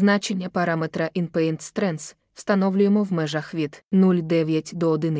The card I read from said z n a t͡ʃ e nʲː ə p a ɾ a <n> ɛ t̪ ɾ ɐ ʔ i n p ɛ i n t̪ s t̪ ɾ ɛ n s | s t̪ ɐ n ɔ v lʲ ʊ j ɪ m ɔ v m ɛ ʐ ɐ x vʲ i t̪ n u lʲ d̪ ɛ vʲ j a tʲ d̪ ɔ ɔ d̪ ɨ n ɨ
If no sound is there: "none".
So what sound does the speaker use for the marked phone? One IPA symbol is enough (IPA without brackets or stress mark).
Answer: m